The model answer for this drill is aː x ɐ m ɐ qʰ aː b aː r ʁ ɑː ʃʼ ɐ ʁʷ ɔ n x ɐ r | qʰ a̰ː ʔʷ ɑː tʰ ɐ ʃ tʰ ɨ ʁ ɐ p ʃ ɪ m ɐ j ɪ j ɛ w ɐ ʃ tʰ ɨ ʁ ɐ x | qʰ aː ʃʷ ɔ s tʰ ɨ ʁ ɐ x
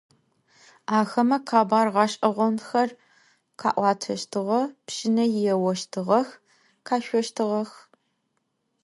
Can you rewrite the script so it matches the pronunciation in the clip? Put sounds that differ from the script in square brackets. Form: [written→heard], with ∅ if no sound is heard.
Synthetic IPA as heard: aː x ɐ m ɐ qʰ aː b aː r ʁ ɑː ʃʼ ɐ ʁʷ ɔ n x ɐ r | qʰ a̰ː ʔʷ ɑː tʰ ɐ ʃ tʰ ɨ ʁ ɐ p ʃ ɪ [m→n] ɐ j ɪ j ɛ w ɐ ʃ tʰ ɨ ʁ ɐ x | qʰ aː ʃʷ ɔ [s→ʃ] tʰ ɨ ʁ ɐ x